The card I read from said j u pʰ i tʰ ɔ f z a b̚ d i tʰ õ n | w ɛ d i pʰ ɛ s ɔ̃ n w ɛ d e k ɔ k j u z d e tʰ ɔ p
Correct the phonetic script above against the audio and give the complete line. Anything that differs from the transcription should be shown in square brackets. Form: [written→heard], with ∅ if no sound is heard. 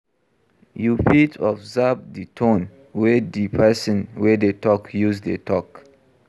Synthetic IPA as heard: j u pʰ i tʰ ɔ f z a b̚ d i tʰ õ n | w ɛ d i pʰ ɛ s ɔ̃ n w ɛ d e [k→t] ɔ k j u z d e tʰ ɔ [p→k]